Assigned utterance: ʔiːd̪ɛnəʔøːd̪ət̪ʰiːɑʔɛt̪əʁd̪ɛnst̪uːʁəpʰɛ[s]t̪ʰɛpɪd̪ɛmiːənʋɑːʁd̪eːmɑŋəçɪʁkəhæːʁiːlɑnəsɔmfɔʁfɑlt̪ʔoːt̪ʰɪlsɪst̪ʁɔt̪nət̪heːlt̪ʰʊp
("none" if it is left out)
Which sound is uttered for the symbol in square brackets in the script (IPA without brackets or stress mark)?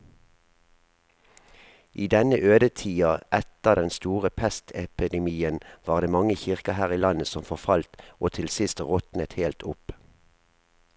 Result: s